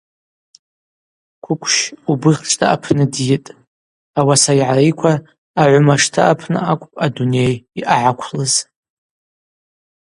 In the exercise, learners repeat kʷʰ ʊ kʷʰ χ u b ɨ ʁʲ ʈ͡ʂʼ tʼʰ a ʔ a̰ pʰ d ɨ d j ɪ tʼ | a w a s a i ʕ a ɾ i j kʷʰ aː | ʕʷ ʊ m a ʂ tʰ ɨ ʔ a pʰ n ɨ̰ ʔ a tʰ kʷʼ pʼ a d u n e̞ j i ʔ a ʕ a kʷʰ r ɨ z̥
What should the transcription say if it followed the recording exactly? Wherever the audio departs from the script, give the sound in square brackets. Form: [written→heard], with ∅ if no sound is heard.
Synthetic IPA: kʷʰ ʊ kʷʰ [χ→ʃ] u b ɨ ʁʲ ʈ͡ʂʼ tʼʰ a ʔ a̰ pʰ [d→n] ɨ d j ɪ tʼ | a w a s a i ʕ a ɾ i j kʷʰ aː | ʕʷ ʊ m a ʂ tʰ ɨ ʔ a pʰ n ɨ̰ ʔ a [tʰ→∅] kʷʼ pʼ a d u n e̞ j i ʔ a ʕ a kʷʰ [r→l] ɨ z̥